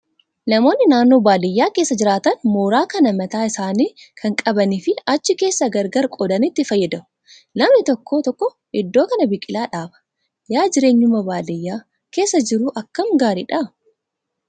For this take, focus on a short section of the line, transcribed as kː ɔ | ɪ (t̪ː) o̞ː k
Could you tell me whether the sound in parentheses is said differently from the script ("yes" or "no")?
yes